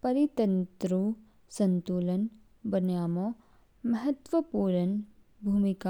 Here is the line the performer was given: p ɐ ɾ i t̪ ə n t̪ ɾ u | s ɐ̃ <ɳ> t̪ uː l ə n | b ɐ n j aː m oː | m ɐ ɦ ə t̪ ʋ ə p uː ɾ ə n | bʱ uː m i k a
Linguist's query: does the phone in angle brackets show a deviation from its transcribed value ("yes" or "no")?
yes